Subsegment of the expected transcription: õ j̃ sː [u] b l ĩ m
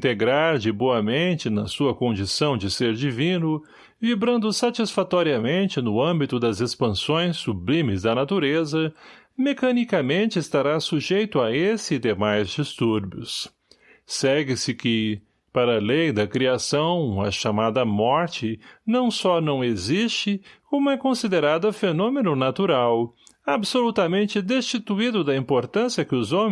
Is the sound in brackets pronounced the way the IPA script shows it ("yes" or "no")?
yes